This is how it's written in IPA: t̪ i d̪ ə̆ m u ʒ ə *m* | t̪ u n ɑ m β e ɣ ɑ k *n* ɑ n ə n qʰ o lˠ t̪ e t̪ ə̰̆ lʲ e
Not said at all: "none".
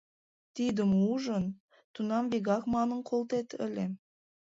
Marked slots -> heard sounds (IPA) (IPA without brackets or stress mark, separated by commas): n, m